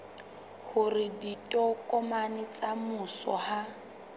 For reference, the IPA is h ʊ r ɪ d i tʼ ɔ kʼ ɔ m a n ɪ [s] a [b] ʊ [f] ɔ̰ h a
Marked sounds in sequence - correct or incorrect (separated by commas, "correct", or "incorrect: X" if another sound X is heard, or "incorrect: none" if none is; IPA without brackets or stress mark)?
incorrect: t͡s, incorrect: m, incorrect: s